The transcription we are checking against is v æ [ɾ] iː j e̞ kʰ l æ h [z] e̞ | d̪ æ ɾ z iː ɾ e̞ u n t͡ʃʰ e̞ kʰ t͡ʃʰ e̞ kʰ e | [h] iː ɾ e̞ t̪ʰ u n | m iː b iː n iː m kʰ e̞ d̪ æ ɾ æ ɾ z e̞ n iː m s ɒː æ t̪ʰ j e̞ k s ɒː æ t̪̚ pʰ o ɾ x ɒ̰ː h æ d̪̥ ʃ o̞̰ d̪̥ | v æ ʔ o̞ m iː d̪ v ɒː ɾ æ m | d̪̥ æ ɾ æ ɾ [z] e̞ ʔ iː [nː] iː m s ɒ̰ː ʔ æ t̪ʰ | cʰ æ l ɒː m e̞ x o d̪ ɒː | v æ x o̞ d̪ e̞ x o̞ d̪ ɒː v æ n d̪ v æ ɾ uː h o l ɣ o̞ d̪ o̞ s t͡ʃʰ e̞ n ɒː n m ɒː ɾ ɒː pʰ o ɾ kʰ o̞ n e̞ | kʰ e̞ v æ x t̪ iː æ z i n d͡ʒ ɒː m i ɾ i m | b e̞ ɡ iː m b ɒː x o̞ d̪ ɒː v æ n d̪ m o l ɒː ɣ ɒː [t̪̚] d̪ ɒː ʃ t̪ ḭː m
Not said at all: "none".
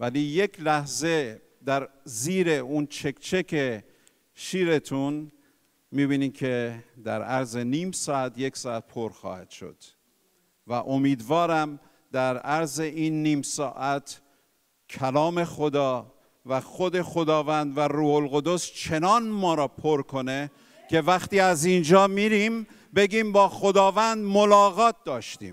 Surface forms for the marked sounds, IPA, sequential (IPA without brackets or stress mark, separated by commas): l, z, ʃ, z, nː, t̪̚